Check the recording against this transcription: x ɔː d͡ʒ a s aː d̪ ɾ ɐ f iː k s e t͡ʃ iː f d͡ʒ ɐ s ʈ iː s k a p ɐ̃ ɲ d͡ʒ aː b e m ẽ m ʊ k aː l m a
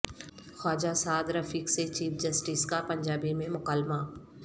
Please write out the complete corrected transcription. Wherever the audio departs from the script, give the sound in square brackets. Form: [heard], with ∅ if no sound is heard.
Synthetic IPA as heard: x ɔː d͡ʒ a s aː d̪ ɾ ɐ f iː k s e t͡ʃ iː f d͡ʒ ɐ s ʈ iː s k a p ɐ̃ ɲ d͡ʒ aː b [i] m ẽ m ʊ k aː l m a

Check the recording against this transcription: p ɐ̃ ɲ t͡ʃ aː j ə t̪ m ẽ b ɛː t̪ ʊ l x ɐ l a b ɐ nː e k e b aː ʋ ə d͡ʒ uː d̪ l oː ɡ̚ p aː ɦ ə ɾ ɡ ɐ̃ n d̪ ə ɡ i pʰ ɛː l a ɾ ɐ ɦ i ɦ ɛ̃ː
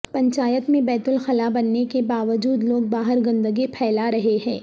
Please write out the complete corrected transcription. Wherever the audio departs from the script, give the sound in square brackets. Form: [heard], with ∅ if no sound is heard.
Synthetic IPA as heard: p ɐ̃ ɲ t͡ʃ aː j ə t̪ m ẽ b ɛː t̪ ʊ l x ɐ l a b ɐ nː e k e b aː ʋ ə d͡ʒ uː d̪ l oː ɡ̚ [b] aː ɦ ə ɾ ɡ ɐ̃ n d̪ ə ɡ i pʰ ɛː l a ɾ ɐ ɦ [e] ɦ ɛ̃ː

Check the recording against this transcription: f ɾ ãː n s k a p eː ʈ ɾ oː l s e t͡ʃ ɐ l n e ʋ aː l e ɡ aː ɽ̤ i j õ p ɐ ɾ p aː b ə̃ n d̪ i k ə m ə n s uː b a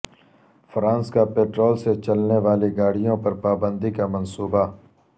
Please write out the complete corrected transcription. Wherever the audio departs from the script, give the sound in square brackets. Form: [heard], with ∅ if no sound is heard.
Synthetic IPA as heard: f ɾ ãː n s k a p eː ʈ ɾ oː l s e t͡ʃ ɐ l n e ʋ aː l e ɡ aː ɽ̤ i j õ p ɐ ɾ p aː b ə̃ n d̪ i k [a] m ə n s uː b a

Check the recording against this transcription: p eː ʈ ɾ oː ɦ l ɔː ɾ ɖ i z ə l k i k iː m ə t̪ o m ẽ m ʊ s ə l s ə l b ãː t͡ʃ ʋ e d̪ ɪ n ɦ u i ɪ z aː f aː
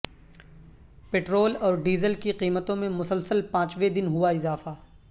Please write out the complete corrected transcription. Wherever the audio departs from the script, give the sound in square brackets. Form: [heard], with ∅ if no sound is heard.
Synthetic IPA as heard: p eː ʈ ɾ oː [∅] l ɔː ɾ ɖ [iː] z ə l k i [q] iː m ə t̪ [õ] m ẽ m ʊ s ə l s ə l [p] ãː t͡ʃ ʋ e d̪ ɪ n ɦ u [a] ɪ z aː f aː

